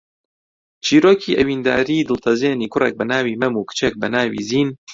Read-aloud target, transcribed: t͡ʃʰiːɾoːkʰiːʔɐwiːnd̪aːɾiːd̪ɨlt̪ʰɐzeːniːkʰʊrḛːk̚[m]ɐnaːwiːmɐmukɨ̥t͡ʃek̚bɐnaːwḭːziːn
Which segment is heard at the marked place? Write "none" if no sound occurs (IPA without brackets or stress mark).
b